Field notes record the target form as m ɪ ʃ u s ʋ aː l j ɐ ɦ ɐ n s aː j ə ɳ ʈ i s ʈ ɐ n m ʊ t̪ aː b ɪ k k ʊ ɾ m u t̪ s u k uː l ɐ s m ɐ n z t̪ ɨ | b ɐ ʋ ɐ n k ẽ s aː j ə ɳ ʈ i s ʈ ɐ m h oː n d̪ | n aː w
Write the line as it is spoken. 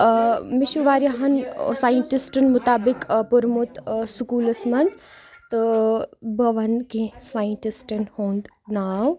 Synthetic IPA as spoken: m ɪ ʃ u ʋ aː ɾ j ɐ ɦ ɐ n s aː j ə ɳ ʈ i s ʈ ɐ n m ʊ t̪ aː b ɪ k p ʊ ɾ m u t̪ s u k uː l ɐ s m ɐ n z t̪ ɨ | b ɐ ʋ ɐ n k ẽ s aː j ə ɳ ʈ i s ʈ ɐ n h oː n d̪ | n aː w